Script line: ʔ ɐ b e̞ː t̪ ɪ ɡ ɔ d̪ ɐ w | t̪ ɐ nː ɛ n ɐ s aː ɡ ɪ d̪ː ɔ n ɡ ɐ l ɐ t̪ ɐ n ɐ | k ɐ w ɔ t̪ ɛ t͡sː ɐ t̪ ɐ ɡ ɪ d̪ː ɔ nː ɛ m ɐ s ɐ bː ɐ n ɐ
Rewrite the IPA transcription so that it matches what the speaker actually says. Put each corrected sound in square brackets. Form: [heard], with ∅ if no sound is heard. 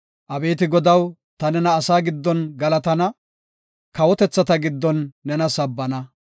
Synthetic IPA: ʔ ɐ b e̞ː t̪ ɪ ɡ ɔ d̪ ɐ w | t̪ ɐ [n] ɛ n [ɐː] s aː ɡ ɪ d̪ː ɔ n ɡ ɐ l ɐ t̪ ɐ n ɐ | k ɐ w ɔ t̪ ɛ t͡sː ɐ t̪ ɐ ɡ ɪ d̪ː ɔ nː ɛ [n] ɐ s ɐ bː ɐ n ɐ